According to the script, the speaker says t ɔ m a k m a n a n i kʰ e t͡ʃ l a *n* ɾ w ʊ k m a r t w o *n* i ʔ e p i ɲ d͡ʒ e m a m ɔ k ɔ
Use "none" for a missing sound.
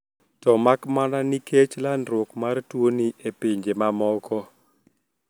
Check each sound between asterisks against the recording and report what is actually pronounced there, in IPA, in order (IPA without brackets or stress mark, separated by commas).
n, n